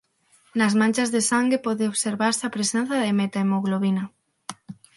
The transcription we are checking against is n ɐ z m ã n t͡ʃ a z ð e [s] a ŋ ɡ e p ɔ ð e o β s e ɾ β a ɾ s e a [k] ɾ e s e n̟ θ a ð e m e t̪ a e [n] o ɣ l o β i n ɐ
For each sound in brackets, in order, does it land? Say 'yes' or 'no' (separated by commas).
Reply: yes, no, no